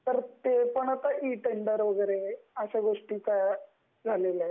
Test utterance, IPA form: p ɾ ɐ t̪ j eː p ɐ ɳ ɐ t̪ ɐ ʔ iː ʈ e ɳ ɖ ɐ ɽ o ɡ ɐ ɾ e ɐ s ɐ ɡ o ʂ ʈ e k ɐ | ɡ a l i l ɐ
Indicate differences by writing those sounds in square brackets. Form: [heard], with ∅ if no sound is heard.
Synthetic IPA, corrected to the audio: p ɾ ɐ t̪ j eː p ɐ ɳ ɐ t̪ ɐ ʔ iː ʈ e ɳ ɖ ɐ [ɾ] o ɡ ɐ ɾ e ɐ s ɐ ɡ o ʂ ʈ [i] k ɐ | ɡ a l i l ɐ